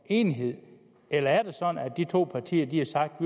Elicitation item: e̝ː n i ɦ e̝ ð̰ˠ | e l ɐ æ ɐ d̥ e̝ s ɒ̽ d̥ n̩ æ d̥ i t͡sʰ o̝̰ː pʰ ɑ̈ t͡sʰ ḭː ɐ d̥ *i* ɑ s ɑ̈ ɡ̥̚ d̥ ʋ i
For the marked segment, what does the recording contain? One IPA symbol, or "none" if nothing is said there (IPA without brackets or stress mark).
i